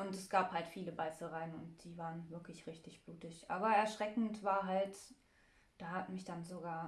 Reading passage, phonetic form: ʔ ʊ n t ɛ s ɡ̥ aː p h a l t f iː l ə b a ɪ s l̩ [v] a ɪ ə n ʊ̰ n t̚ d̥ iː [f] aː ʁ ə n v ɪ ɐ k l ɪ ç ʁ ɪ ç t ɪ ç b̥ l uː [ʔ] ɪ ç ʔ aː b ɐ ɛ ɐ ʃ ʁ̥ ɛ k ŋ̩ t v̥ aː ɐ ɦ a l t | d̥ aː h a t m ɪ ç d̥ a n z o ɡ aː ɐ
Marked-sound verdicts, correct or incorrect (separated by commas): incorrect, incorrect, incorrect